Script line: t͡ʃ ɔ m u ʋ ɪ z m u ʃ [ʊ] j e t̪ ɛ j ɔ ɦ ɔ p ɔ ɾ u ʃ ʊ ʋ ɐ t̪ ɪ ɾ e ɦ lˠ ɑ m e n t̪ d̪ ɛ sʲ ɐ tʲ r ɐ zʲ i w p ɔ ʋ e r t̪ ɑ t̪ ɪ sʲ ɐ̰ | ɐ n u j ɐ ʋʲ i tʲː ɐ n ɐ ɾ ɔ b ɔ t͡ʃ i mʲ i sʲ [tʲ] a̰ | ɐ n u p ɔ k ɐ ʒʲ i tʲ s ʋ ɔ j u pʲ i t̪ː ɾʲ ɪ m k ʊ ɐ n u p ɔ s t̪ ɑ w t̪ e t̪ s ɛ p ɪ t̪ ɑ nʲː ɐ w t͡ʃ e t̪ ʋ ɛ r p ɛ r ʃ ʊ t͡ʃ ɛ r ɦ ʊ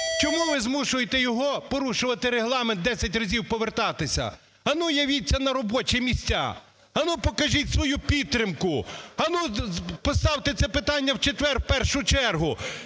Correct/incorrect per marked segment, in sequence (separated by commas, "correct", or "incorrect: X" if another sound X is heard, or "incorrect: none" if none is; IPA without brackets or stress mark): correct, correct